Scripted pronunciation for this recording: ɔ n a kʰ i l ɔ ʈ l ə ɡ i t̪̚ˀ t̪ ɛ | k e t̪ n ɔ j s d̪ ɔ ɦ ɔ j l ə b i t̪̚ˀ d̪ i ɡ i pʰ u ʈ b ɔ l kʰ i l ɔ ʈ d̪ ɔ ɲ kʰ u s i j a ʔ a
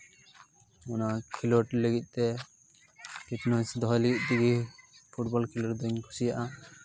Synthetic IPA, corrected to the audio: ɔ n a kʰ i l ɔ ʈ l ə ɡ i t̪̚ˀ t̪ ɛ | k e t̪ n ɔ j s d̪ ɔ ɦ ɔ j l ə ɡ i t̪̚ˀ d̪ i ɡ i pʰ u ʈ b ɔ l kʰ i l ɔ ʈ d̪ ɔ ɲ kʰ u s i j a ʔ a